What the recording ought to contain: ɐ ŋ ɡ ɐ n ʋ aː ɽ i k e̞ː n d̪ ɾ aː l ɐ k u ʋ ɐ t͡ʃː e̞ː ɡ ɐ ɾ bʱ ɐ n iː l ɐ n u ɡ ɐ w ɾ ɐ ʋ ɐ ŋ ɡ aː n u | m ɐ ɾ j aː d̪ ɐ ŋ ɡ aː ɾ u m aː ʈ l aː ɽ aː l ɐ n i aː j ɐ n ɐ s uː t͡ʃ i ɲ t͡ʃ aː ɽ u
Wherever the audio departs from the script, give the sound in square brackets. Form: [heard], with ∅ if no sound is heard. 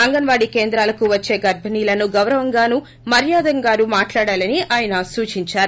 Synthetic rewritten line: ɐ ŋ ɡ ɐ n ʋ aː ɽ i k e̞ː n d̪ ɾ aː l ɐ k u ʋ ɐ t͡ʃː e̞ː ɡ ɐ ɾ bʱ ɐ n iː l ɐ n u ɡ ɐ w ɾ ɐ ʋ ɐ ŋ ɡ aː n u | m ɐ ɾ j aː d̪ ɐ ŋ ɡ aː ɾ u m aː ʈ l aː ɽ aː l ɐ n i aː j ɐ n ɐ s uː t͡ʃ i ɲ t͡ʃ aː [ɾ] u

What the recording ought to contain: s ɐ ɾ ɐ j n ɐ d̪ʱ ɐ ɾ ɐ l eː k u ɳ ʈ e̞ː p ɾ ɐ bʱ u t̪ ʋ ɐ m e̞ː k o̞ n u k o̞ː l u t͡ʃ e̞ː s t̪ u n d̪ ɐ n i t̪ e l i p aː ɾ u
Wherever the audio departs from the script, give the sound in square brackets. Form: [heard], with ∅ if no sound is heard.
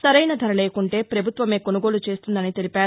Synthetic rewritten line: s ɐ ɾ ɐ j n ɐ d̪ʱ ɐ ɾ ɐ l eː k u ɳ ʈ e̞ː p ɾ ɐ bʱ u t̪ ʋ ɐ m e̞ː k o̞ n u [ɡ] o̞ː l u t͡ʃ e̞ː s t̪ u n d̪ ɐ n i t̪ e l i p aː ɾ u

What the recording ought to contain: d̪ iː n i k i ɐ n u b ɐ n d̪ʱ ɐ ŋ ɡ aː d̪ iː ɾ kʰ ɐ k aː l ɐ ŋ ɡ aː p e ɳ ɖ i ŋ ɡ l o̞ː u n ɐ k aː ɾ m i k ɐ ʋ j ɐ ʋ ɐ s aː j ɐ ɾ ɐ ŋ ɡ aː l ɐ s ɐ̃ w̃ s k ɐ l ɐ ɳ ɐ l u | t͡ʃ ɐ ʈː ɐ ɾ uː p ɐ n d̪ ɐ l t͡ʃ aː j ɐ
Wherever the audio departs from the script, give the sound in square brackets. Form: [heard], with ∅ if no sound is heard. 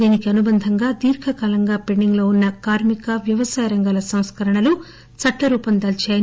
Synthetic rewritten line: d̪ iː n i k i ɐ n u b ɐ n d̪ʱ ɐ ŋ ɡ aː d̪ iː ɾ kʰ ɐ k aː l ɐ ŋ ɡ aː p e ɳ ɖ i ŋ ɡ l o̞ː u [nː] ɐ k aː ɾ m i k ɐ ʋ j ɐ ʋ ɐ s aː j ɐ ɾ ɐ ŋ ɡ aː l ɐ s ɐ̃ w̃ s k ɐ [ɾ] ɐ ɳ ɐ l u | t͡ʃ ɐ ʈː ɐ ɾ uː p ɐ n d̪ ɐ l t͡ʃ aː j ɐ

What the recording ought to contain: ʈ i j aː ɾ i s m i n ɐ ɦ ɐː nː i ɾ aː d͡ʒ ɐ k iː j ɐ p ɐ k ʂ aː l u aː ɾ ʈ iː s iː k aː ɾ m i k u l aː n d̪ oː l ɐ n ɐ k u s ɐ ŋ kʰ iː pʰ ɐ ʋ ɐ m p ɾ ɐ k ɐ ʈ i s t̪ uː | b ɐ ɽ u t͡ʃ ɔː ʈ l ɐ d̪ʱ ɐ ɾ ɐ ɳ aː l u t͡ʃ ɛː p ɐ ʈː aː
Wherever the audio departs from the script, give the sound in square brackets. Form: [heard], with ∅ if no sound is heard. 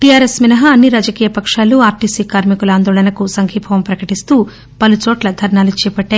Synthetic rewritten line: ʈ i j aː ɾ [e] s m i n ɐ ɦ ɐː nː i ɾ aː d͡ʒ ɐ k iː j ɐ p ɐ k ʂ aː l u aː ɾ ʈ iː s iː k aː ɾ m i k u l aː n d̪ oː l ɐ n ɐ k u s ɐ ŋ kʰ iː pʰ ɐ ʋ ɐ m p ɾ ɐ k ɐ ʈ i s t̪ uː | [p] ɐ [l] u t͡ʃ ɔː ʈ l ɐ d̪ʱ ɐ ɾ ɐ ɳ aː l u t͡ʃ ɛː p ɐ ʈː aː

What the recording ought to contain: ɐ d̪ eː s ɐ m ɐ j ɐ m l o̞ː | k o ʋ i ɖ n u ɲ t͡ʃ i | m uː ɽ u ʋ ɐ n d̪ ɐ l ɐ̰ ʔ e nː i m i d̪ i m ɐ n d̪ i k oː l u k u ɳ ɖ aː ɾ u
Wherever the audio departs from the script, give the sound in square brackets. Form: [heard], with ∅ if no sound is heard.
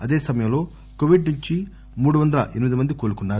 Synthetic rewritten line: ɐ d̪ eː s ɐ m ɐ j ɐ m l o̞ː | k o ʋ i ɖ n u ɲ t͡ʃ i | m uː ɽ u ʋ ɐ n d̪ ɐ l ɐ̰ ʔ e [n] i m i d̪ i m ɐ n d̪ i k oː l u k u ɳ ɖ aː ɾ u

